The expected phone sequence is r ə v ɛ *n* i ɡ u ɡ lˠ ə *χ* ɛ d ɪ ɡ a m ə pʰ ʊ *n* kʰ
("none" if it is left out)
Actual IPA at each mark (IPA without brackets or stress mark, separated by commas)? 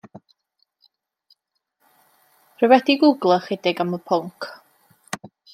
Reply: d, χ, ŋ